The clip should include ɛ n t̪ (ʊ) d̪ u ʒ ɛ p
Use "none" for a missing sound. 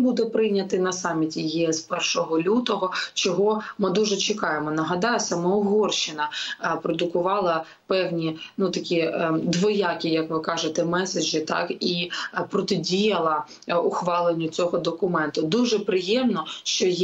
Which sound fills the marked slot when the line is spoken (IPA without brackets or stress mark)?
ʊ